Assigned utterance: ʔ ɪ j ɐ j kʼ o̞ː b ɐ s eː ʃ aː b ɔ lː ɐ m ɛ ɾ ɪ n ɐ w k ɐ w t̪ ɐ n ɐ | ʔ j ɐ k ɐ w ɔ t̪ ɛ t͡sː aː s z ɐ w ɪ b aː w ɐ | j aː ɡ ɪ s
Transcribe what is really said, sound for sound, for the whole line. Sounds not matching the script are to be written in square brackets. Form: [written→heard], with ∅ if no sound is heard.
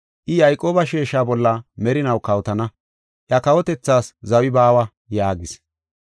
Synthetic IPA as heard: ʔ ɪ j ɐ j kʼ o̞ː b ɐ [s→ʃ] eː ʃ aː b ɔ lː ɐ m ɛ ɾ ɪ n ɐ w k ɐ w t̪ ɐ n ɐ | ʔ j ɐ k ɐ w ɔ t̪ ɛ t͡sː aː s z ɐ w ɪ b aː w ɐ | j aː ɡ ɪ s